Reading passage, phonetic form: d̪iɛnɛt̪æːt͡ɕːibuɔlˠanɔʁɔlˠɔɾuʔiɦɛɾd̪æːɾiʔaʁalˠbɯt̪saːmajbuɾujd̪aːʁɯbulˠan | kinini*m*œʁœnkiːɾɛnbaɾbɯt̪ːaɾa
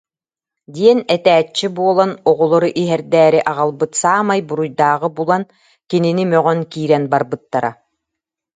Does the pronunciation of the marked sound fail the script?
no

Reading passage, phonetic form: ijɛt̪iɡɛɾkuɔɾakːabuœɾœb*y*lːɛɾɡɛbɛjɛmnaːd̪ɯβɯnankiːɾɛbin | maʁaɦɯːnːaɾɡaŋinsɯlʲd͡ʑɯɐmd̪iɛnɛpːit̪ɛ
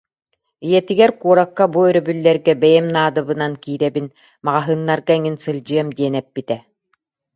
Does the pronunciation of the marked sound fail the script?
no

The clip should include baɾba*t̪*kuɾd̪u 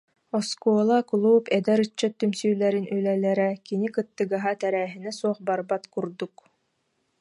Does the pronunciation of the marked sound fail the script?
no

